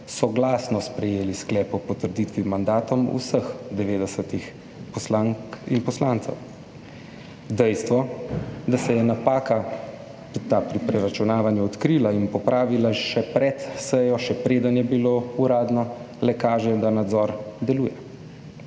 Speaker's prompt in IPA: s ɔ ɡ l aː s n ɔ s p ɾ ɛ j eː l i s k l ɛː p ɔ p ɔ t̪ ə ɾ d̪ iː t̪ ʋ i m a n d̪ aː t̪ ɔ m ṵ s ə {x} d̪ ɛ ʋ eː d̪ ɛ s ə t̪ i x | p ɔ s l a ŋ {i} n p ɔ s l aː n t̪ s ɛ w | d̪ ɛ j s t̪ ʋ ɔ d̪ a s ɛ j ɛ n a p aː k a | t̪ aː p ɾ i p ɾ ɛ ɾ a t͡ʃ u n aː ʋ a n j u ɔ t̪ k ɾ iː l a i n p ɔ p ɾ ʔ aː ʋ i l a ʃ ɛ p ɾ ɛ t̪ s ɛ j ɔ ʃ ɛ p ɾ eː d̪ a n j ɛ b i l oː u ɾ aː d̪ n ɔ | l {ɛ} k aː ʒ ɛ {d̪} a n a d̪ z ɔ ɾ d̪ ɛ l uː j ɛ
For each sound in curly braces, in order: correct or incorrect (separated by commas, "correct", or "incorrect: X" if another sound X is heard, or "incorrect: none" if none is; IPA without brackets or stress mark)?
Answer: correct, correct, correct, correct